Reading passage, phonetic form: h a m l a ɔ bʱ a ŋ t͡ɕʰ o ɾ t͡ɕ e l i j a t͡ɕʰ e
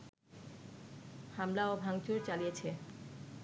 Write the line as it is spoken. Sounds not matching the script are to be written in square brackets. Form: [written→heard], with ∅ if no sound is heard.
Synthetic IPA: h a m l a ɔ bʱ a ŋ [t͡ɕʰ→t͡ɕ] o ɾ t͡ɕ [e→a] l i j [a→e] t͡ɕʰ e